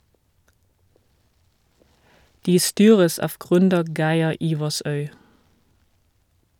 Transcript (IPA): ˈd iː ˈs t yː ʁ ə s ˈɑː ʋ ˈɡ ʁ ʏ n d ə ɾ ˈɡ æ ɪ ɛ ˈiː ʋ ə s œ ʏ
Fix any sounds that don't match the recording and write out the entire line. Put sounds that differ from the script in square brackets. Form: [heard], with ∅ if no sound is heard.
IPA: ˈd iː ˈs t yː ʁ ə s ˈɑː ʋ ˈɡ ʁ ʏ n d ə ɾ ˈɡ æ ɪ ɛ ˈiː ʋ [ɑ] s œ ʏ

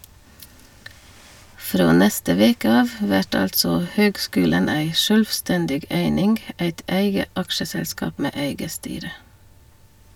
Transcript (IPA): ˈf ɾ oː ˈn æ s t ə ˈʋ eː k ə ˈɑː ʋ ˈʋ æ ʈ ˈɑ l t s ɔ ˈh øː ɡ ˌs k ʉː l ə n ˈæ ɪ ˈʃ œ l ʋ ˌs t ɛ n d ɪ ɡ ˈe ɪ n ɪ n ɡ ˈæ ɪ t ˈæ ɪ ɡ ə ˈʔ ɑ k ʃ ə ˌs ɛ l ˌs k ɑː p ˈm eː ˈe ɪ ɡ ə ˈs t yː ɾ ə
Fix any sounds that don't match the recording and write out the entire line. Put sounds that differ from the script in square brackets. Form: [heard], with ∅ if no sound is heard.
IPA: ˈf ɾ oː ˈn [ɛ] s t ə ˈʋ eː k ə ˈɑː ʋ ˈʋ æ ʈ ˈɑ l t s ɔ ˈh øː ɡ ˌs k ʉː l ə n ˈæ ɪ ˈʃ œ l ʋ ˌs t ɛ n d ɪ ɡ ˈe ɪ n ɪ [ŋ] ɡ ˈæ ɪ t ˈæ ɪ ɡ ə ˈʔ ɑ k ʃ ə ˌs ɛ l ˌs k ɑː p ˈm eː ˈe ɪ ɡ ə ˈs t yː ɾ ə

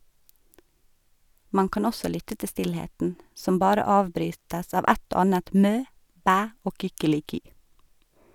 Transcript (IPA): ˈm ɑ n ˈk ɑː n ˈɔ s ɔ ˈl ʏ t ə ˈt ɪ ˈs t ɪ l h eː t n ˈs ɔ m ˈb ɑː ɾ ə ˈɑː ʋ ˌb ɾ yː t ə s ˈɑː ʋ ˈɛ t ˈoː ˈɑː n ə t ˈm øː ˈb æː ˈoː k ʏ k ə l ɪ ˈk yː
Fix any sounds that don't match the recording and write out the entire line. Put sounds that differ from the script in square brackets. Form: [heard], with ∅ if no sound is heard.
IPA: ˈm ɑ n ˈk ɑː n ˈɔ s ɔ ˈl ʏ t ə ˈt ɪ ˈs t ɪ l h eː t n ˈs ɔ m ˈb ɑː ɾ ə ˈɑː ʋ ˌb ɾ yː t ə s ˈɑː ʋ ˈɛ t ˈoː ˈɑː n ə t ˈm øː ˈb æː ˈoː k ʏ k ə l ɪ ˈk yː

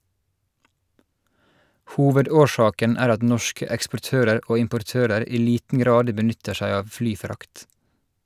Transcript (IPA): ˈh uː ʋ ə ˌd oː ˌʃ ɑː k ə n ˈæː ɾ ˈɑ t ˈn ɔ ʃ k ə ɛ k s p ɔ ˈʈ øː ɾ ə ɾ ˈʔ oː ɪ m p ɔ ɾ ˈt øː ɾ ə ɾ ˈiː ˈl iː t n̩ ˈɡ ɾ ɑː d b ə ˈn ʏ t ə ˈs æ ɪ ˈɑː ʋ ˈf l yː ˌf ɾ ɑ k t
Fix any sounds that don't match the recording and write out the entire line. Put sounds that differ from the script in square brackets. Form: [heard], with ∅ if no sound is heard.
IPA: ˈh uː ʋ ə ˌd oː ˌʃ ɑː k ə n ˈæː ɾ ˈɑ t ˈn ɔ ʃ k ə ɛ k s p ɔ ˈʈ øː ɾ ə ɾ ˈʔ oː ɪ m p ɔ ɾ ˈt øː ɾ ə ɾ ˈiː ˈl iː t n̩ ˈɡ ɾ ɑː d b ə ˈn ʏ t ə [ˈʃ] æ ɪ ˈɑː ʋ ˈf l yː ˌf ɾ ɑ k t

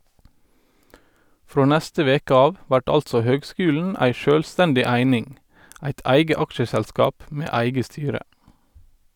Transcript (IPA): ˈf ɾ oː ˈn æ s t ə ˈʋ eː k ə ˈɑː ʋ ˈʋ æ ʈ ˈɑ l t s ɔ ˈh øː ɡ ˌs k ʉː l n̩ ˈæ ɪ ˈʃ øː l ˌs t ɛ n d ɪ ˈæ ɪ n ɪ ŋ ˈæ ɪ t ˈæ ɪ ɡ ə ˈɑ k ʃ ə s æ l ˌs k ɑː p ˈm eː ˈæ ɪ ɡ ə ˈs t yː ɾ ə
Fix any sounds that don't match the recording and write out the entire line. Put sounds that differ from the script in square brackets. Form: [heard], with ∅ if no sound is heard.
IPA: ˈf ɾ oː ˈn æ s t ə ˈʋ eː k ə ˈɑː ʋ ˈʋ æ ʈ ˈɑ l t s ɔ ˈh øː ɡ ˌs k ʉː l n̩ ˈæ ɪ ˈʃ øː l ˌs t ɛ n d ɪ ˈæ ɪ n ɪ ŋ ˈæ ɪ t ˈæ ɪ ɡ ə ˈɑ k ʃ ə s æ l ˌs k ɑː p ˈm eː ˈæ ɪ ɡ ə ˈs t yː ɾ ə

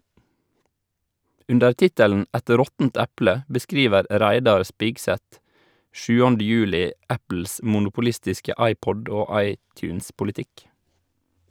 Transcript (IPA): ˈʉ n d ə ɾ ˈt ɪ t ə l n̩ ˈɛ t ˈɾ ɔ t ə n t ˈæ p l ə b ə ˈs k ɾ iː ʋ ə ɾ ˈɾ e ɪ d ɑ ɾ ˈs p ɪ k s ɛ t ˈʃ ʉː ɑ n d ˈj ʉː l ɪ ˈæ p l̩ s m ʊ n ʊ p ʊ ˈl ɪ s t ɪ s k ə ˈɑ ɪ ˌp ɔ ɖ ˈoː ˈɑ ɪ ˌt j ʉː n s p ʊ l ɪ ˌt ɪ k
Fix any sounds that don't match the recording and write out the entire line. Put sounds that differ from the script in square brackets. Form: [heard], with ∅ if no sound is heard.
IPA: ˈʉ n d ə ɾ ˈt ɪ t ə l n̩ ˈɛ t ˈɾ ɔ t ə n t ˈæ p l ə b ə ˈs k ɾ iː ʋ ə ɾ ˈɾ [æ] ɪ d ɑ ɾ ˈs p ɪ [ɡ] s ɛ t ˈʃ ʉː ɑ n d ˈj ʉː l ɪ ˈæ p l̩ s m ʊ n ʊ p ʊ ˈl ɪ s t ɪ s k ə ˈɑ ɪ ˌp ɔ ɖ ˈoː ˈɑ ɪ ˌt j ʉː n s p ʊ l ɪ ˌt ɪ k

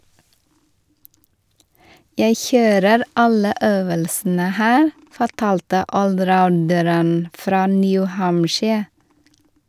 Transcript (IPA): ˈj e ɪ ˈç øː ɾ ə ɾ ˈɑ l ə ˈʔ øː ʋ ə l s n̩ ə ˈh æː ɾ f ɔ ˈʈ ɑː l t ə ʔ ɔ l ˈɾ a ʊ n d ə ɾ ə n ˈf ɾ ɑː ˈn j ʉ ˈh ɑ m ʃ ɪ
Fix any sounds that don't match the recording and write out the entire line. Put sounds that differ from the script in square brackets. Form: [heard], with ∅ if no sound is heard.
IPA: ˈj [æ] ɪ ˈç øː ɾ ə ɾ ˈɑ l ə ˈʔ øː ʋ ə l s n̩ ə ˈh æː ɾ f ɔ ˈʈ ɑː l t ə ʔ ɔ l ˈɾ a ʊ n d ə ɾ ə n ˈf ɾ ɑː ˈn j ʉ ˈh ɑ m ʃ ɪ

